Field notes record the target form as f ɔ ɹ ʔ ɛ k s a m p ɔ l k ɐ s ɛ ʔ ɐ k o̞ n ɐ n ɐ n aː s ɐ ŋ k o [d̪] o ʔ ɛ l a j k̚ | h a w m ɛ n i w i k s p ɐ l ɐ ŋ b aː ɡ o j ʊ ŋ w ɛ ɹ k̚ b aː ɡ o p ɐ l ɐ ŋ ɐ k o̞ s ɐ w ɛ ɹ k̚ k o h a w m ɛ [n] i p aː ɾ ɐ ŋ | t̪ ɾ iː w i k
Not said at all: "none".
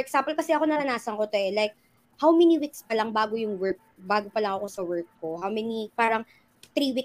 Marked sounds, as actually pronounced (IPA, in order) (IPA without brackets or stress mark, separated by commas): t̪, n